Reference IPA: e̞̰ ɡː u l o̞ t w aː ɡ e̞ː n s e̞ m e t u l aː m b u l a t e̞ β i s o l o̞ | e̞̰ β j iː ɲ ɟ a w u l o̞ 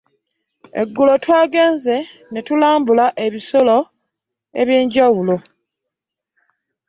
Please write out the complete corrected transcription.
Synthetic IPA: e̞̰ ɡː u l o̞ t w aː ɡ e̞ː n z e̞ n e t u l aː m b u l a ʔ e̞ β i s o l o̞ | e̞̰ β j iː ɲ ɟ a w u l o̞